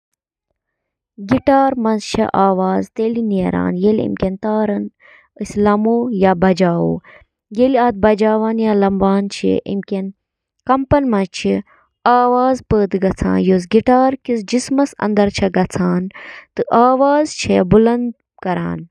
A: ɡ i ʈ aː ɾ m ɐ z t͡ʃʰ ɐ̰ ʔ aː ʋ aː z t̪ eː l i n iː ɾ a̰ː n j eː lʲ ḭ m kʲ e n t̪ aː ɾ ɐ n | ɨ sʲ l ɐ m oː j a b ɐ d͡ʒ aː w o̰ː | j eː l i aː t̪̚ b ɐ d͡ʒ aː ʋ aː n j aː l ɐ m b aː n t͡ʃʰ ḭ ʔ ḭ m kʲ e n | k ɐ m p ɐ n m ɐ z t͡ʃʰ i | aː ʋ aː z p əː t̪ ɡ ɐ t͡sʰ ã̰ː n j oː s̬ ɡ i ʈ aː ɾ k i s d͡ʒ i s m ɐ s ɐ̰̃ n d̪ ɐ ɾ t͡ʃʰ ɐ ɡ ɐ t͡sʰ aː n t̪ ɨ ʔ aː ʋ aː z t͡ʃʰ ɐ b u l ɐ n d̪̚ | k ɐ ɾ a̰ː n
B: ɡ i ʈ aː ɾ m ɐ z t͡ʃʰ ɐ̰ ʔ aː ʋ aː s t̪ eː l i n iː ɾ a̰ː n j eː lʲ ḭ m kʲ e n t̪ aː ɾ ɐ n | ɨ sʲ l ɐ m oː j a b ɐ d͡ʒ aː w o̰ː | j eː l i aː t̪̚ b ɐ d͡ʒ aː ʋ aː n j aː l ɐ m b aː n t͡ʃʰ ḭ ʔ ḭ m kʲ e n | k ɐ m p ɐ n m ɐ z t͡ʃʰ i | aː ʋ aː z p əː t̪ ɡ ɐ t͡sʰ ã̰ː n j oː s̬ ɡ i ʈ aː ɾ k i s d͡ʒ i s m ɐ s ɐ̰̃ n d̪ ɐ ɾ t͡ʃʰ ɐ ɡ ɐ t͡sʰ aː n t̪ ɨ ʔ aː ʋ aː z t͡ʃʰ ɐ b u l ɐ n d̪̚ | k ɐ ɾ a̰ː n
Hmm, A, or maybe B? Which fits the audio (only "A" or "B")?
A